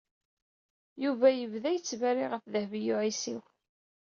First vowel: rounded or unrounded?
rounded